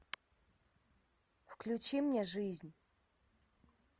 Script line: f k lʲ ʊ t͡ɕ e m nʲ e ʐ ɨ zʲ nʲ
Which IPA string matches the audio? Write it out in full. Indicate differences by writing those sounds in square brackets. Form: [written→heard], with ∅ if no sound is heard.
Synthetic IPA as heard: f k lʲ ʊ t͡ɕ [e→i] m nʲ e ʐ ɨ zʲ nʲ